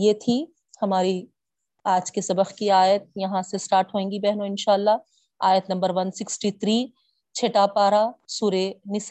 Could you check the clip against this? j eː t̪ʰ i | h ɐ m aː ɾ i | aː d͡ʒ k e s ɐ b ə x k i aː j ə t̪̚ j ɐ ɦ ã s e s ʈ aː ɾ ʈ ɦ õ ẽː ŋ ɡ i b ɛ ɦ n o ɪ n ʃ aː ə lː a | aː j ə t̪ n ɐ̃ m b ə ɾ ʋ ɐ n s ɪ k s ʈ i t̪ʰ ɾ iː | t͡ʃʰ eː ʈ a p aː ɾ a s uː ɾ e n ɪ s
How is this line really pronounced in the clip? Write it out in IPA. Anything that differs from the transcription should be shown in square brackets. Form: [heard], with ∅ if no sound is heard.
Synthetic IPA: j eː t̪ʰ i | h ɐ m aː ɾ i | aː d͡ʒ k e s ɐ b ə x k i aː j ə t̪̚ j ɐ ɦ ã s e s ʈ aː ɾ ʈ ɦ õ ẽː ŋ ɡ i b ɛ ɦ n o ɪ n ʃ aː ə lː a | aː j ə t̪ n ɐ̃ m b ə ɾ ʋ ɐ n s ɪ k s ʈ i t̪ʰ ɾ iː | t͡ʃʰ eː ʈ a p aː ɾ a s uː ɾ e n ɪ s